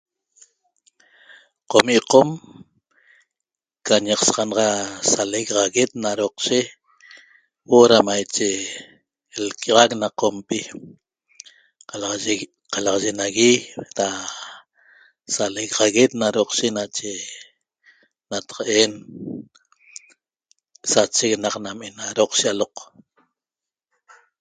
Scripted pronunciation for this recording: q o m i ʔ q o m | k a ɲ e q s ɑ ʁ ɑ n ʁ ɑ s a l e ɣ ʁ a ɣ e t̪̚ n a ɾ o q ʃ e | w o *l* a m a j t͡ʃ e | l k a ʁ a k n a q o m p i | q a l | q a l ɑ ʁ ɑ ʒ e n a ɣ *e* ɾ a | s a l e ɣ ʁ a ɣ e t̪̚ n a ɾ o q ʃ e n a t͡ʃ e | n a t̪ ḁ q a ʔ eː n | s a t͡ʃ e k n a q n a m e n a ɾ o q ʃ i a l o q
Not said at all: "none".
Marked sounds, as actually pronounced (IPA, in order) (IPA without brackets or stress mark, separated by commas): ɾ, i